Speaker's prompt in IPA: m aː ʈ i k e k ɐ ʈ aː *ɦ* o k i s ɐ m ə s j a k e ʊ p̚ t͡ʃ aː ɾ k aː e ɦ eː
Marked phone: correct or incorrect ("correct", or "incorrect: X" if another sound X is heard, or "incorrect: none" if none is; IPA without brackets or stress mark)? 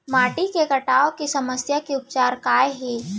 incorrect: none